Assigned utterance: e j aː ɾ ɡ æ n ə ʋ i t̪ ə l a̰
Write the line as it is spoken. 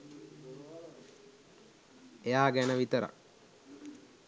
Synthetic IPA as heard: e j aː ɡ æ n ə ʋ i t̪ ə ɾ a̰